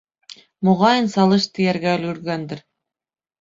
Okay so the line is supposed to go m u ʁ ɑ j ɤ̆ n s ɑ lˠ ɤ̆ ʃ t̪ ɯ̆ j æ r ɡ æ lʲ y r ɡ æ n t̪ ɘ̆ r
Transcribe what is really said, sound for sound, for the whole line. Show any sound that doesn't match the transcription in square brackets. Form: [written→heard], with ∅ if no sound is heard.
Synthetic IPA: m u ʁ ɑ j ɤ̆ n s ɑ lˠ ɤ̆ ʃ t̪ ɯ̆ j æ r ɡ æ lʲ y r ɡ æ n [t̪→d̪] ɘ̆ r